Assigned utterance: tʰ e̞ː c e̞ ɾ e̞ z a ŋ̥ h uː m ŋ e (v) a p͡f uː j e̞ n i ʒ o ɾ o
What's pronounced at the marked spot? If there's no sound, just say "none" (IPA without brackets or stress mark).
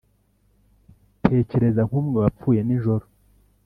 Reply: β